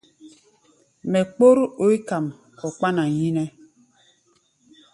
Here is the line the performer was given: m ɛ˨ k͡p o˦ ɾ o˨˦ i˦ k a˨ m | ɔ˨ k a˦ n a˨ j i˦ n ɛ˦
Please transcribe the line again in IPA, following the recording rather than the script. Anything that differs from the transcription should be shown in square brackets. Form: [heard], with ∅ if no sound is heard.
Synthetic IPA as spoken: m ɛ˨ k͡p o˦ ɾ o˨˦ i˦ k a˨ m | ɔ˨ [k͡p] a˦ n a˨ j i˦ n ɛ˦